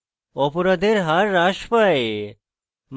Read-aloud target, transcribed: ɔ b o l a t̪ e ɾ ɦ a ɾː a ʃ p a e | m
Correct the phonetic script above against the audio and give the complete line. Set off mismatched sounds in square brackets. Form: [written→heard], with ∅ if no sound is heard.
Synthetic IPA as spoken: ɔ [b→p] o [l→ɾ] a [t̪→d̪] e ɾ ɦ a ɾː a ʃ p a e | m